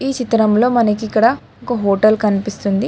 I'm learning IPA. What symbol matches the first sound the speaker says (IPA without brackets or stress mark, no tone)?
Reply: iː